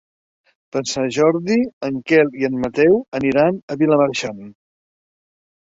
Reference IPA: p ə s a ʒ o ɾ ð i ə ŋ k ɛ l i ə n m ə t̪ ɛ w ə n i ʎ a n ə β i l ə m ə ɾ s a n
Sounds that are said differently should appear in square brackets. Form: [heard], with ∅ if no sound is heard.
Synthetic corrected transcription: p ə s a ʒ [ɔ] ɾ ð i ə ŋ k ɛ l i ə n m ə t̪ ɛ w ə n i [ɾ] a n ə β i l ə m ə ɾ [ʃ] a n